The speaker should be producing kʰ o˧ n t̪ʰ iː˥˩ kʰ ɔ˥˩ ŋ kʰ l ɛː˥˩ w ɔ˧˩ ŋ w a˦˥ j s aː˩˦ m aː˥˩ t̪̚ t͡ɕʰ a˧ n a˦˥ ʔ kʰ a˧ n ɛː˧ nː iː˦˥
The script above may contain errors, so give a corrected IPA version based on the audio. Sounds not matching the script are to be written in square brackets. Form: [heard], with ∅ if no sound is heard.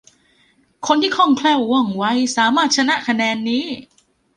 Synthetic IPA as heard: kʰ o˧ n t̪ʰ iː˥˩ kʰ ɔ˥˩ ŋ kʰ l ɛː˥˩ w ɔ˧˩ ŋ w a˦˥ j s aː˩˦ m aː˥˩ t̪̚ t͡ɕʰ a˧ n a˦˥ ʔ kʰ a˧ n ɛː˧ nː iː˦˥